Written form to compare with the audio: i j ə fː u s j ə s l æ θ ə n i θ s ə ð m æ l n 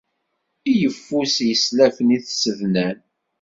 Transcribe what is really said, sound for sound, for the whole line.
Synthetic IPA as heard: i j ə fː u s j ə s l æ f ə n i θ s ə ð n æ n